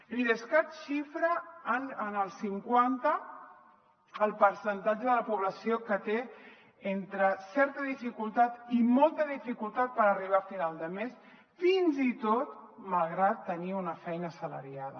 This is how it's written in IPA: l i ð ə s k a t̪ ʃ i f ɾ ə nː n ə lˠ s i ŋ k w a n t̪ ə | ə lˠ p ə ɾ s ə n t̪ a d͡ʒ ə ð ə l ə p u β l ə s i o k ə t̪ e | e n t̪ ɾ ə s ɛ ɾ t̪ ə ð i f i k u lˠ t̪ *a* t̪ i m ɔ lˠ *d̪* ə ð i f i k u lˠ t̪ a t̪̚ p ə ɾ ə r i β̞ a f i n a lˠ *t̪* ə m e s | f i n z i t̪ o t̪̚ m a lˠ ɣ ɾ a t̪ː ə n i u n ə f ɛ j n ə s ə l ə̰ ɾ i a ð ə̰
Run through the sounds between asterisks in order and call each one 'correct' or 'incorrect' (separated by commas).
correct, incorrect, incorrect